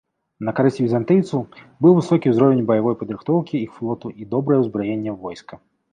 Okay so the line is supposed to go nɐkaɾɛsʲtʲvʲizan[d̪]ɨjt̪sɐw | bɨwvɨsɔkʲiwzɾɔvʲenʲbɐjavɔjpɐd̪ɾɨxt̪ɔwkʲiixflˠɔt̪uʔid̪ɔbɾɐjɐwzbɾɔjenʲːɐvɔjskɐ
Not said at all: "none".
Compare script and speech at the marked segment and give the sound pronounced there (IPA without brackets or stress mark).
t̪